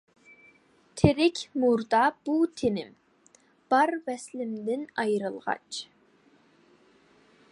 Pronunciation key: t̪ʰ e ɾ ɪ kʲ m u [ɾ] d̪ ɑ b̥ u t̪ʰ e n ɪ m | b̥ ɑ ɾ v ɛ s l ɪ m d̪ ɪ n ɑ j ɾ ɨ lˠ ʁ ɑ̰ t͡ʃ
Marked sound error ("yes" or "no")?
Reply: no